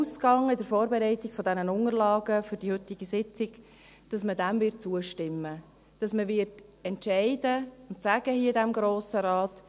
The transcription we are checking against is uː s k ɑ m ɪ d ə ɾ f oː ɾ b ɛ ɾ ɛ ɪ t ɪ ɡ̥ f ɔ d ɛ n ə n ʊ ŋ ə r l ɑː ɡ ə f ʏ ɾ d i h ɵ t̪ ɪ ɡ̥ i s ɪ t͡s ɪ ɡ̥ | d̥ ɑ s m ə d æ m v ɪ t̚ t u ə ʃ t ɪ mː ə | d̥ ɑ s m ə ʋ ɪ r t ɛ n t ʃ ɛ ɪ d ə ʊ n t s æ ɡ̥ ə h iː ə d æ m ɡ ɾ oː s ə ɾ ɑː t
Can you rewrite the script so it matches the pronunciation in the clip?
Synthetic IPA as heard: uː s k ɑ ŋ ɪ d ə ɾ f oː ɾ b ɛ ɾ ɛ ɪ t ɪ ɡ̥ f ɔ d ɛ n ə n ʊ ŋ ə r l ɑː ɡ ə f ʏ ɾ d i h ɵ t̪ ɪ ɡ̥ i s ɪ t͡s ɪ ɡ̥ | d̥ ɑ s m ə d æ m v ɪ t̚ t͡s u ə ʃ t ɪ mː ə | d̥ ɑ s m ə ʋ ɪ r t ɛ n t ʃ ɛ ɪ d ə ʊ n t s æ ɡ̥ ə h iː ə d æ m ɡ ɾ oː s ə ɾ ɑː t